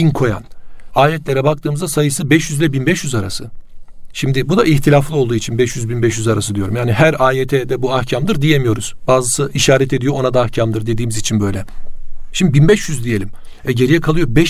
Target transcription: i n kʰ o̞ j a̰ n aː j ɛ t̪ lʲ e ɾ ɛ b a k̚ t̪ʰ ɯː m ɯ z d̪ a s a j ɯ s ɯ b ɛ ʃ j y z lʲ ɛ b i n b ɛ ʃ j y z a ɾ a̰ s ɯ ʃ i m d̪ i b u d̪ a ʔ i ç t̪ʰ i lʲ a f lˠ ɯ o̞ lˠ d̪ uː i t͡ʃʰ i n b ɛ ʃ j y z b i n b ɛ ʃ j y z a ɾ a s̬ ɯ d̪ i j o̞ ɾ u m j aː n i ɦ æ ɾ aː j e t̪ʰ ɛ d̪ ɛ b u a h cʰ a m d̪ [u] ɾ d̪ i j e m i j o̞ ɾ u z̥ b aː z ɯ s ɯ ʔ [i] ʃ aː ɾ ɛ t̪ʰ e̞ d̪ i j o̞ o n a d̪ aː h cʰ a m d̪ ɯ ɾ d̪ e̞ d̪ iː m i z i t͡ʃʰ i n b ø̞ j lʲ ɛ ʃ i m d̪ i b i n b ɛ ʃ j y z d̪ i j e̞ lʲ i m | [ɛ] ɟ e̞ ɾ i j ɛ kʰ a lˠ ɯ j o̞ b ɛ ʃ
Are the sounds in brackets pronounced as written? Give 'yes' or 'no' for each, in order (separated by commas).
no, yes, yes